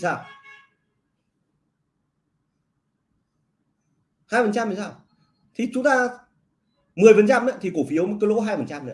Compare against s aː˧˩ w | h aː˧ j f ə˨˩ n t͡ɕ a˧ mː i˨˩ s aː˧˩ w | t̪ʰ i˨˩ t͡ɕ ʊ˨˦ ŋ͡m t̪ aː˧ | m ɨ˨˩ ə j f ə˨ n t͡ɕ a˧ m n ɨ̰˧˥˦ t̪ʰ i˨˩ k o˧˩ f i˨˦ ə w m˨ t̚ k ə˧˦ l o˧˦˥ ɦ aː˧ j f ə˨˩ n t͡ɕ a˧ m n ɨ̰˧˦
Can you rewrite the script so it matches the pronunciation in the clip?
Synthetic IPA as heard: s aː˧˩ w | h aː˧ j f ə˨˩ n t͡ɕ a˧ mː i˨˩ s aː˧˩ w | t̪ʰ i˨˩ t͡ɕ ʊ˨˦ ŋ͡m t̪ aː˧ | m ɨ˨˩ ə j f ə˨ n t͡ɕ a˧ m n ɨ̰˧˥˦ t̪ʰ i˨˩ k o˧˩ f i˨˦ ə w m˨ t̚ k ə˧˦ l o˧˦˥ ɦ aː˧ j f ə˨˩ n t͡ɕ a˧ m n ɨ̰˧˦